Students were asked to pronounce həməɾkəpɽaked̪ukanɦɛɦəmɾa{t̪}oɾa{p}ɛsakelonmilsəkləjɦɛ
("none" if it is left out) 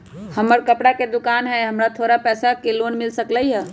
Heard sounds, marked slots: t̪ʰ, p

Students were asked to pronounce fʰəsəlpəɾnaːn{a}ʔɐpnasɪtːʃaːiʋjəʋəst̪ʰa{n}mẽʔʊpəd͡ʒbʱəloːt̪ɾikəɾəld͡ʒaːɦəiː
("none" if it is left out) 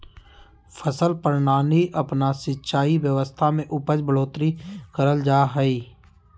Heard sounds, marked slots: i, none

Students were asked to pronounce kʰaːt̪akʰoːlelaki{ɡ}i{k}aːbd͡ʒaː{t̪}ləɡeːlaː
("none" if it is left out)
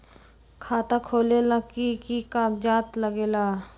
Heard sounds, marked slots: k, k, t̪

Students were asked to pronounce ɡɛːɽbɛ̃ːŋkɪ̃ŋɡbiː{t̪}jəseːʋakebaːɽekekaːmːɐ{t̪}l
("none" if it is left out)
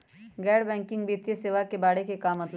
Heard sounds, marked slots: t̪, t̪

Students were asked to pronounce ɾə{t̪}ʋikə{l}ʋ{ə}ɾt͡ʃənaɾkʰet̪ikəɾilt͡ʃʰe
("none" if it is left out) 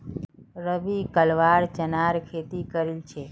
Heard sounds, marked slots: none, l, a

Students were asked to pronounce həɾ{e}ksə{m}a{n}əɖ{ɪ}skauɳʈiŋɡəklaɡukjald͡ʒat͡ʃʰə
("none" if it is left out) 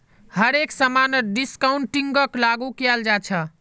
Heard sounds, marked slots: e, m, n, i

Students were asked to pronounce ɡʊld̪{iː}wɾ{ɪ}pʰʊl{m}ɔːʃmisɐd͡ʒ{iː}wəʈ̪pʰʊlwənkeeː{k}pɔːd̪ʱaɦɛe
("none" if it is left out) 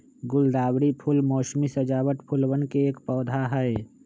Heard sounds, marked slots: aː, i, m, aː, k

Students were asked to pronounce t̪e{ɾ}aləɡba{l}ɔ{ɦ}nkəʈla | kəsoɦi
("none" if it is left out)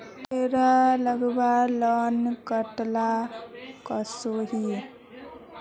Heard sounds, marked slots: ɾ, l, none

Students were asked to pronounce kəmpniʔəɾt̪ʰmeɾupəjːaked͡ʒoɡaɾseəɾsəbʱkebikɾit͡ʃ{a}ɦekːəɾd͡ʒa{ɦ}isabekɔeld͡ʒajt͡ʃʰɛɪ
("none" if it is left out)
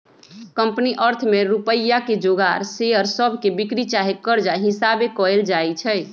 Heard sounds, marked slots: a, ɦ

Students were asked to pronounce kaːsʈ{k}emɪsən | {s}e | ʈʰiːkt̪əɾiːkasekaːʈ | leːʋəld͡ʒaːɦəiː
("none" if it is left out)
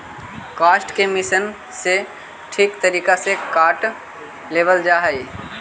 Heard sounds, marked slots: k, s

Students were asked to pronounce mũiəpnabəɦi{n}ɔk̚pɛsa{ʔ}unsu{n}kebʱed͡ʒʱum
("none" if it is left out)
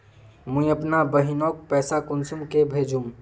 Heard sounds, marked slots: n, k, m

